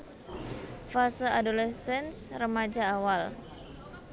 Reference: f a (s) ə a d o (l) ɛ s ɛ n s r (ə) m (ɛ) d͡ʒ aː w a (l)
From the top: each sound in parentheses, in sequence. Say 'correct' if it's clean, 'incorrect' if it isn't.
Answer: correct, correct, correct, incorrect, correct

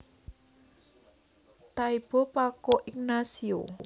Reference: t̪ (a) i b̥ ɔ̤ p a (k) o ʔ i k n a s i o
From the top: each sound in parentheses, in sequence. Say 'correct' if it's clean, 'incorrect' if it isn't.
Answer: correct, correct

